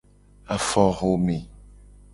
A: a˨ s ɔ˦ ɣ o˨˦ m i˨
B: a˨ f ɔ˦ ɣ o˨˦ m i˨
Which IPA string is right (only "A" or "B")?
B